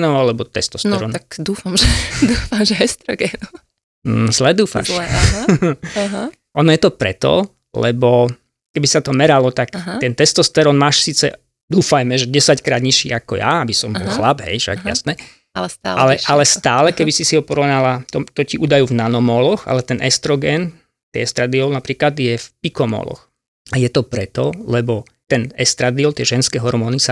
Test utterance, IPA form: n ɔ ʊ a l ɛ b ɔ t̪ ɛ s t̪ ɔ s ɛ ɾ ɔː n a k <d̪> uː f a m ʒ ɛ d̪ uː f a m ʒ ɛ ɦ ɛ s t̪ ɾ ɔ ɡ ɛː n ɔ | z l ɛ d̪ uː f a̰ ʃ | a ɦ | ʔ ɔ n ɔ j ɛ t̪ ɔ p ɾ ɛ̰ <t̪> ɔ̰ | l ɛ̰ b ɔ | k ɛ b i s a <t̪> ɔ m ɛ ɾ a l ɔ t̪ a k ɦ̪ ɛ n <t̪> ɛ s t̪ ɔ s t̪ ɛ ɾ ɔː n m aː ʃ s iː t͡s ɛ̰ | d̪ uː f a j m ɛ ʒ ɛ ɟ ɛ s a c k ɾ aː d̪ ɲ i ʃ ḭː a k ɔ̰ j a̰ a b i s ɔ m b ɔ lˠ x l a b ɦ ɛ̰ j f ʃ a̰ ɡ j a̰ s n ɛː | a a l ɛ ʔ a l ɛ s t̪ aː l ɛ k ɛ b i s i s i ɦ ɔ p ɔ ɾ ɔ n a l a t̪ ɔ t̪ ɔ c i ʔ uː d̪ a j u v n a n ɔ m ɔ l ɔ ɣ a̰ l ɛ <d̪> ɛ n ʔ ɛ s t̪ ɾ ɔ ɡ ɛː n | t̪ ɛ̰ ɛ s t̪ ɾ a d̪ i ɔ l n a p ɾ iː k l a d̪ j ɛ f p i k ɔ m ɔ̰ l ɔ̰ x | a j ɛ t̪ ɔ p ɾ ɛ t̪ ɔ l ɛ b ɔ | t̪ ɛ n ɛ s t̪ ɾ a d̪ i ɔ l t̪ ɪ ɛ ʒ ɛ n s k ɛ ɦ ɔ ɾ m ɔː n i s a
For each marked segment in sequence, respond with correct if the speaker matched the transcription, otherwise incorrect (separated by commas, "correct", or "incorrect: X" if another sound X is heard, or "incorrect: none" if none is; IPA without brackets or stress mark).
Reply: correct, correct, correct, correct, incorrect: t̪